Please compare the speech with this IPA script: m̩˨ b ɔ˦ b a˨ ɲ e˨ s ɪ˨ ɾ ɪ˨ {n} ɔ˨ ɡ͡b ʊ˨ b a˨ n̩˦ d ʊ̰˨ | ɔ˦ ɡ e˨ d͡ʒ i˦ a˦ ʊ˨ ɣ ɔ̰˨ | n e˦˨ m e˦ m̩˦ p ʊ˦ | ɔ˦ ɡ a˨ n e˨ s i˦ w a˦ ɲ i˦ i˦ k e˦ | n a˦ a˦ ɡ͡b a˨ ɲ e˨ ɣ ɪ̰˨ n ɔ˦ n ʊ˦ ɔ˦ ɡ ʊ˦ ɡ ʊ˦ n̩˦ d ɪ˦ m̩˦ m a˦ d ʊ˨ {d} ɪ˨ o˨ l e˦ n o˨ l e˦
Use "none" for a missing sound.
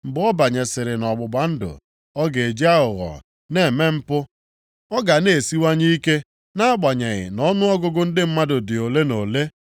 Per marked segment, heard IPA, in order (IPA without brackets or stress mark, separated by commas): n, d